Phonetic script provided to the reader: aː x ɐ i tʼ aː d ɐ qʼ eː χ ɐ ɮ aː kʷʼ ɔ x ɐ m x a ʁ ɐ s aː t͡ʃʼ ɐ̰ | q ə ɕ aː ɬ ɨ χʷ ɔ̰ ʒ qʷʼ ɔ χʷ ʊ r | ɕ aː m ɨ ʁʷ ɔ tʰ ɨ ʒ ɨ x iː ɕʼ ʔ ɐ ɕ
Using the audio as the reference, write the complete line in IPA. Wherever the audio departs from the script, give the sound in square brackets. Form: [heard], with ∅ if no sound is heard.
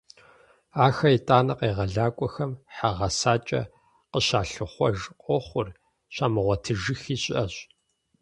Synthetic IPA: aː x ɐ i tʼ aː [n] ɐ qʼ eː [ʁ] ɐ ɮ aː kʷʼ ɔ x ɐ m [ħ] a ʁ ɐ s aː t͡ʃʼ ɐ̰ | q ə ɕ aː ɬ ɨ χʷ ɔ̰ ʒ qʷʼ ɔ χʷ ʊ r | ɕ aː m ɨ ʁʷ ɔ tʰ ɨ ʒ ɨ x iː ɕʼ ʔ ɐ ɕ